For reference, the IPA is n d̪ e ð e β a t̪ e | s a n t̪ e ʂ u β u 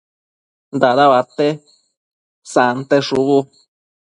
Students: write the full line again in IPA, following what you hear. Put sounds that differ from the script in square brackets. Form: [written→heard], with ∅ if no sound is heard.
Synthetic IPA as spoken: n d̪ [e→a] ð [e→a] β a t̪ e | s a n t̪ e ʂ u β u

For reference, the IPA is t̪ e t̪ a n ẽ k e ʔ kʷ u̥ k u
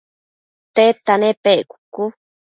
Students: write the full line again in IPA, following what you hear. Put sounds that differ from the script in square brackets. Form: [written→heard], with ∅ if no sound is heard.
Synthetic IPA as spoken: t̪ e t̪ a n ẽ [k→p] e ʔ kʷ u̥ k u

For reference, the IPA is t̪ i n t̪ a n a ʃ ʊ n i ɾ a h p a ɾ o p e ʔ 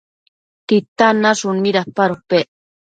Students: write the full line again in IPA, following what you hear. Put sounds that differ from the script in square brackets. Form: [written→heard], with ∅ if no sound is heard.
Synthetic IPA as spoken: t̪ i [n→∅] t̪ a n a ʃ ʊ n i ɾ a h p a ɾ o p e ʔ

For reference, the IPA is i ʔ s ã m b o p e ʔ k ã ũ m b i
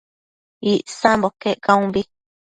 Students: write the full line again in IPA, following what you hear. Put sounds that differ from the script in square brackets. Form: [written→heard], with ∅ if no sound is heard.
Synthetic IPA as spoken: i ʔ s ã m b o [p→k] e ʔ k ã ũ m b i

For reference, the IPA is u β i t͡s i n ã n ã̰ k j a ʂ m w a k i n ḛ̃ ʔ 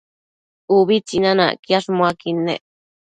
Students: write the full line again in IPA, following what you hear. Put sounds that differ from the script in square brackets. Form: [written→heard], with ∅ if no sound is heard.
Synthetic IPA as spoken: u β i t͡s i n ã n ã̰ k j a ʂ m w a k i n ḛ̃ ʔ

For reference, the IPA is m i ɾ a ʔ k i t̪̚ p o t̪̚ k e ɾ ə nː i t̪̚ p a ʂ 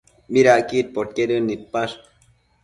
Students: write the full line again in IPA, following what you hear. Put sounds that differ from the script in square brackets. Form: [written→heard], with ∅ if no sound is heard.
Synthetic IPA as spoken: m i ɾ a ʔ k i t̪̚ p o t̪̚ k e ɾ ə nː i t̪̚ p a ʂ

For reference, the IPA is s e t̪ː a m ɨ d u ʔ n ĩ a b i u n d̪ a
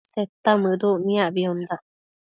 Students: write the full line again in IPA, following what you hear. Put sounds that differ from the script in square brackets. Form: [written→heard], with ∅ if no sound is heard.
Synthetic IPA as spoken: s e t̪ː a m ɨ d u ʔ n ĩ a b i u n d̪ a

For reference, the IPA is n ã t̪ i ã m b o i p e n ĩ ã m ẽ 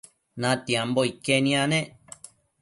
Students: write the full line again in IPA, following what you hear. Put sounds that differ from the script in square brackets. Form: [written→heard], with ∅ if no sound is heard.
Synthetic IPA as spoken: n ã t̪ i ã m b o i [p→k] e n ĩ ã [m→n] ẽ

